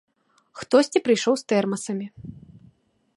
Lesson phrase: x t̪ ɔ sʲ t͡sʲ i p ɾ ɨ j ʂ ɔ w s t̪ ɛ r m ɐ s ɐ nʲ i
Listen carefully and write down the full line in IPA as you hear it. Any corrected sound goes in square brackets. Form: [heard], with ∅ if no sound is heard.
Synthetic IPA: x t̪ ɔ sʲ t͡sʲ i p ɾ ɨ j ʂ ɔ w s t̪ ɛ r m ɐ s ɐ [mʲ] i